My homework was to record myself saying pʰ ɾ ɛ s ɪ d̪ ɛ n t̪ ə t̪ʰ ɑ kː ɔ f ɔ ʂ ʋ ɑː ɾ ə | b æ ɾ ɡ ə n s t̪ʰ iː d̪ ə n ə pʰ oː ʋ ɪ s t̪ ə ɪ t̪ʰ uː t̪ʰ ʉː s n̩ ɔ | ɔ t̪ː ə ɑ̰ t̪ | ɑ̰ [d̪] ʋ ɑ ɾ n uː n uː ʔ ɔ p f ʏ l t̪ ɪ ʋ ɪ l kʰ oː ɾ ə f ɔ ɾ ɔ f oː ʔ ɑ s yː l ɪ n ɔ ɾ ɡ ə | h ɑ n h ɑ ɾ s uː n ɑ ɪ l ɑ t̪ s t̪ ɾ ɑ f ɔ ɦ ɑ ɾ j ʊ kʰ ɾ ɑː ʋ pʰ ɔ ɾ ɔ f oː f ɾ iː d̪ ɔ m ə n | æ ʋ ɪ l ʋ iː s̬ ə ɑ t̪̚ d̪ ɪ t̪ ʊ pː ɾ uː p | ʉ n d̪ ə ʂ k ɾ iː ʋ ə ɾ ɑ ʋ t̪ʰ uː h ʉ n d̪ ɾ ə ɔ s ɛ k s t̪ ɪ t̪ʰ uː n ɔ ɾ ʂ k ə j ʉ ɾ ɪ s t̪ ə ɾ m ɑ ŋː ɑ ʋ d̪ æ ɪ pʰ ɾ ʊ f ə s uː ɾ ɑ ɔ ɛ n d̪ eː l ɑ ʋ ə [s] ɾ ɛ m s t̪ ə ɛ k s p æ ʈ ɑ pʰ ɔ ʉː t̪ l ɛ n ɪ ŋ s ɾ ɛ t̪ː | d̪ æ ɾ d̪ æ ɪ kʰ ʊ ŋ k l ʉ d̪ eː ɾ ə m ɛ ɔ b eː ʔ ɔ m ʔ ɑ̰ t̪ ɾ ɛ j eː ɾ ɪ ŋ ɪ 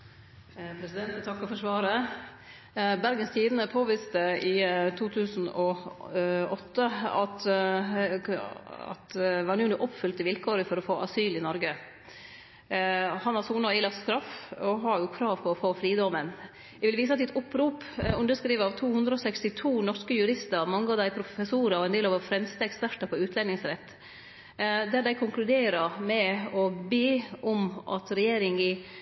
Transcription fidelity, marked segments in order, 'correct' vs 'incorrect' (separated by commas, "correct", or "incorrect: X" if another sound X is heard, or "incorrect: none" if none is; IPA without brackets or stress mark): incorrect: t̪, incorrect: f